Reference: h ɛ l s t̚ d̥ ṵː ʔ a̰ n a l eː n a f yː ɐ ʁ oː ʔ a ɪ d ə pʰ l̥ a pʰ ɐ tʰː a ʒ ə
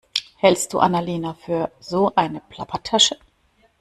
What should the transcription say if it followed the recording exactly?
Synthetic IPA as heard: h ɛ l s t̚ d̥ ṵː ʔ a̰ n a l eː n a f yː ɐ z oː ʔ a ɪ n ə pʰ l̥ a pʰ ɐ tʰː a ʃ ə